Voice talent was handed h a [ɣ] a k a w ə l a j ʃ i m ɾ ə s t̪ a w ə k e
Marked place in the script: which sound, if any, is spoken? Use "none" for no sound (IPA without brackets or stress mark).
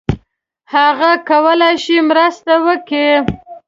ɣ